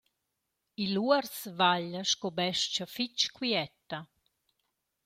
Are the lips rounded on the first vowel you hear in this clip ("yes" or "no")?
no